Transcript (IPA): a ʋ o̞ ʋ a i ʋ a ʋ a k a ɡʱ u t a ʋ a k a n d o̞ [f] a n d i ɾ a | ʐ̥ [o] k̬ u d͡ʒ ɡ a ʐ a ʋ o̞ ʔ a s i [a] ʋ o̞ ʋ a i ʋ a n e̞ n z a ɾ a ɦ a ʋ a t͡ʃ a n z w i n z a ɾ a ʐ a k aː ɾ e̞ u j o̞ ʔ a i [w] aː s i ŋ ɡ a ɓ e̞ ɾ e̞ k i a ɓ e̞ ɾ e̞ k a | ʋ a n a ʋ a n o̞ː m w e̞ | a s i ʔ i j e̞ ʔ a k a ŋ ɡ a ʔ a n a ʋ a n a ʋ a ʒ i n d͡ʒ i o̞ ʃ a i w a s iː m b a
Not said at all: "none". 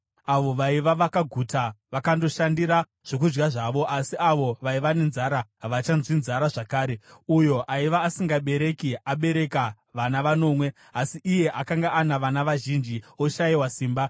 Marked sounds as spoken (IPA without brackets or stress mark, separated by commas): ʃ, o, a, ʋ